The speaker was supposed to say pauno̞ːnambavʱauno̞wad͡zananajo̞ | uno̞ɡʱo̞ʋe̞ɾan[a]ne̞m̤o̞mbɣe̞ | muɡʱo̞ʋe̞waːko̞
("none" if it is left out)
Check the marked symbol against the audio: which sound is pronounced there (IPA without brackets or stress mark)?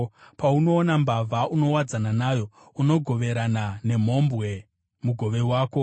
a